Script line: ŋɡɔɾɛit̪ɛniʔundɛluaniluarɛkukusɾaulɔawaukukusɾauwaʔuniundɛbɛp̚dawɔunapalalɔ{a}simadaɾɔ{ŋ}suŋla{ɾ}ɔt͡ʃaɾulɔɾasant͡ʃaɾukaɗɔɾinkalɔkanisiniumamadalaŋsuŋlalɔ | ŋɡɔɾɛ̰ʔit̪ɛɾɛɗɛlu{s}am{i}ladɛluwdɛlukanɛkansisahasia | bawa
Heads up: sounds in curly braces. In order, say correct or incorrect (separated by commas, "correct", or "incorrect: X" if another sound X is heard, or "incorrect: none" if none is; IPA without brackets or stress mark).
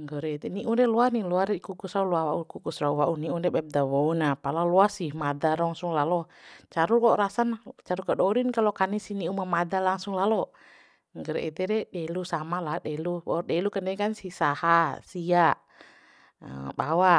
correct, correct, incorrect: l, correct, incorrect: a